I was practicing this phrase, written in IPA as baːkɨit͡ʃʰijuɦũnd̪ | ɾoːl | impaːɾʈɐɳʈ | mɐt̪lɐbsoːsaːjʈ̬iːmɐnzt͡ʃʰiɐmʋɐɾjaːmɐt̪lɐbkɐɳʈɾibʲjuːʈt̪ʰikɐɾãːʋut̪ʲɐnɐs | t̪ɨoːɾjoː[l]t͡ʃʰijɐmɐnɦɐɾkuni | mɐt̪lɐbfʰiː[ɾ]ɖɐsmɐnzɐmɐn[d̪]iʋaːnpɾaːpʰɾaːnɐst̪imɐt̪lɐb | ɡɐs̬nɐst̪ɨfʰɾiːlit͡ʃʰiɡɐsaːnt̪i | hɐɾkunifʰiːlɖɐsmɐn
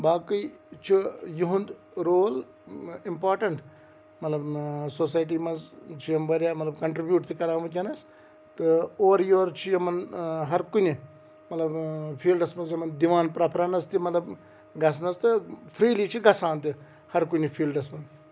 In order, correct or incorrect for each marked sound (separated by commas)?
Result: incorrect, incorrect, correct